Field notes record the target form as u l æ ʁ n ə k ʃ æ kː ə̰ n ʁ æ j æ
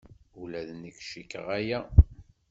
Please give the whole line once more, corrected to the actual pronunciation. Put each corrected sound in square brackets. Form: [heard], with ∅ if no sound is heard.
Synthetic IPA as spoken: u l æ [ð] n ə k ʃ [i] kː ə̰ [∅] ʁ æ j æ